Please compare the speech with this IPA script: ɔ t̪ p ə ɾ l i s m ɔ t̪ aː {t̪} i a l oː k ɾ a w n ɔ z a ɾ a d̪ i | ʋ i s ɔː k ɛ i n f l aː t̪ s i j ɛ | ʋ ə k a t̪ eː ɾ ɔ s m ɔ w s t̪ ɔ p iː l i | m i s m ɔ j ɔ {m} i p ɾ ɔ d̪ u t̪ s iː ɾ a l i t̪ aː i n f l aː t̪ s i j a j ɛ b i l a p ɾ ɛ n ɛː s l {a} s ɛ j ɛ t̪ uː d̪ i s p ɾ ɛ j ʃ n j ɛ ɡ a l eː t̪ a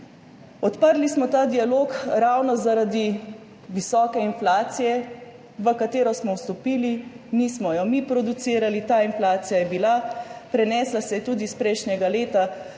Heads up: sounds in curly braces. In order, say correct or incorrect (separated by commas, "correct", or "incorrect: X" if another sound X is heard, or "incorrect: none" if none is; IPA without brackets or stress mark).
incorrect: d̪, correct, correct